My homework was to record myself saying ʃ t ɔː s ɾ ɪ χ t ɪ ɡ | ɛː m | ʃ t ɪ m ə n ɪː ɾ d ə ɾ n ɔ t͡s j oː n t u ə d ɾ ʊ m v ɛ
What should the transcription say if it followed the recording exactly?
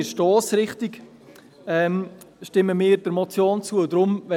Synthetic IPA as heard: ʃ t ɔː s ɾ ɪ χ t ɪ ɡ | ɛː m | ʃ t ɪ m ə m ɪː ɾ d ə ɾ m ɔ t͡s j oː n t͡s u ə d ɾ ʊ m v ɛ